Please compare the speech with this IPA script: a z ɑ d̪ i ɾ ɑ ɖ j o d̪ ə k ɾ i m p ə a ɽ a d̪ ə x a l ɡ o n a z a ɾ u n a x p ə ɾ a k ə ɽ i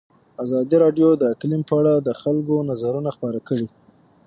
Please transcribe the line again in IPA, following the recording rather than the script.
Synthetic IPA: a z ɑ d̪ i ɾ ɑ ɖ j o d̪ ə k l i m p ə a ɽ a d̪ ə x a l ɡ o n a z a ɾ u n a x p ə ɾ a k ə ɽ i